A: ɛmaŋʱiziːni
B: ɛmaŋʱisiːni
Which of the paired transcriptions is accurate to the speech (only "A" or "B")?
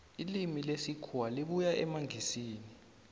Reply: B